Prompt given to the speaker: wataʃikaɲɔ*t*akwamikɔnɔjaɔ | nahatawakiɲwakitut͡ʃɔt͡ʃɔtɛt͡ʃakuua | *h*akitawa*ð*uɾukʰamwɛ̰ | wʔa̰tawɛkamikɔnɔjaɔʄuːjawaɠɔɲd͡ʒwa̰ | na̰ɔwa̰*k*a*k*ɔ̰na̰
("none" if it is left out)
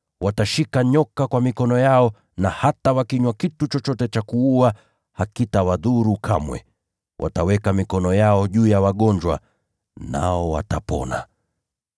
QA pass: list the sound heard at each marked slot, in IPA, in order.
k, h, ð, t, p

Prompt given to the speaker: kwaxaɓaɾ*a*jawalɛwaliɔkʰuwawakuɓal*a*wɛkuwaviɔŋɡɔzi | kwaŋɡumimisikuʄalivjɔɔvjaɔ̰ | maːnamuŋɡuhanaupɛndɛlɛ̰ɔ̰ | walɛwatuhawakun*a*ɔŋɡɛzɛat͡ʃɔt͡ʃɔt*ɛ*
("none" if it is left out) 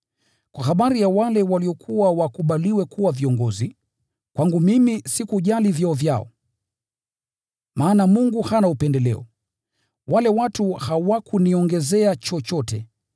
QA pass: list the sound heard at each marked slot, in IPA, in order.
i, i, i, ɛ

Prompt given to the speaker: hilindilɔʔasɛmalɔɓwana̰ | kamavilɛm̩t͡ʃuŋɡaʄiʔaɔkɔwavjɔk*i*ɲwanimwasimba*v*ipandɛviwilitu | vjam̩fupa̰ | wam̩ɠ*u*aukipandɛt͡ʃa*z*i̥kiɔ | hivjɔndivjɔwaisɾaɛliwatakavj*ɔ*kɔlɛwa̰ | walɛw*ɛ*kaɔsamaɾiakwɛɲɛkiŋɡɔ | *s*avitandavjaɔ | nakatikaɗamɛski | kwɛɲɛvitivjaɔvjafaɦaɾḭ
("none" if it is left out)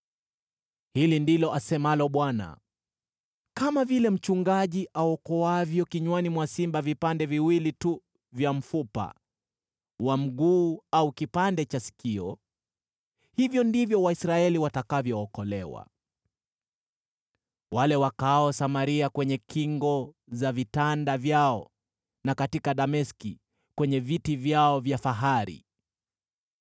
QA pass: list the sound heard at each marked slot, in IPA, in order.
i, v, uː, s, ɔː, a, z

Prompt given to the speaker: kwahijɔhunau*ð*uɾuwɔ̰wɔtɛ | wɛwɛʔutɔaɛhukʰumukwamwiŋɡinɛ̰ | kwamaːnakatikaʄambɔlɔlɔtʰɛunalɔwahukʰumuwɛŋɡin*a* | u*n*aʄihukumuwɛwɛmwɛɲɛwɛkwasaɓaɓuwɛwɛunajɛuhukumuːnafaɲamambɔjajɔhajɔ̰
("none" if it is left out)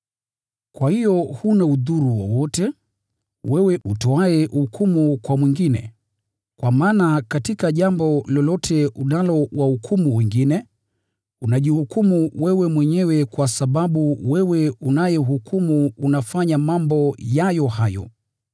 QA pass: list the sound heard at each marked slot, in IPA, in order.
ð, ɛ, n

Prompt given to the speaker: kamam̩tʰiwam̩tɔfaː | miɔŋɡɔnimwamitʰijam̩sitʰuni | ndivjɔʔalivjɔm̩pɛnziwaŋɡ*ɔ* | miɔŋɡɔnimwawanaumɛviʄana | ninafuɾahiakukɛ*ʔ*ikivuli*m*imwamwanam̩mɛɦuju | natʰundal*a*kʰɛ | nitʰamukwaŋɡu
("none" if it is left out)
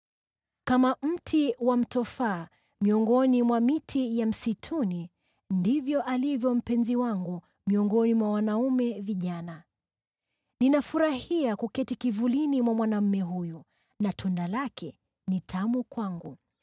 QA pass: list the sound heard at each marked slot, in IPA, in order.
u, t, n, a

